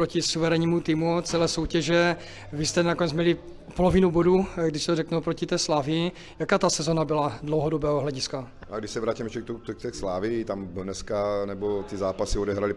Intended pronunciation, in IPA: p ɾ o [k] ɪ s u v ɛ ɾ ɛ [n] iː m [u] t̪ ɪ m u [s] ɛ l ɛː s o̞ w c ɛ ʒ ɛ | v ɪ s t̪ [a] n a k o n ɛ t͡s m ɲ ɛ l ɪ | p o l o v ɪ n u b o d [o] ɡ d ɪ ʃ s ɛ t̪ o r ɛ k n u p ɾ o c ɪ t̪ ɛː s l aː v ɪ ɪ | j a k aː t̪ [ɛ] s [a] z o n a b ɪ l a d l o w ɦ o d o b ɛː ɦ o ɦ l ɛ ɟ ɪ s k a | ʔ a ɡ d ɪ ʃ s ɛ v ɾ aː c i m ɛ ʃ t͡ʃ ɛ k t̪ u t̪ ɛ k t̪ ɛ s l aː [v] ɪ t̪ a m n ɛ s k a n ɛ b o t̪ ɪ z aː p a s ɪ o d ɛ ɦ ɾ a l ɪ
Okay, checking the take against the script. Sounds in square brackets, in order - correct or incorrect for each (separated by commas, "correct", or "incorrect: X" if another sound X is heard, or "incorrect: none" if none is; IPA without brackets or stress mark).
incorrect: c, incorrect: ɲ, correct, incorrect: t͡s, incorrect: ɛ, incorrect: u, incorrect: a, incorrect: ɛ, correct